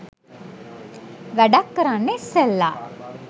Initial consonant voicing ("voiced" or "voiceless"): voiced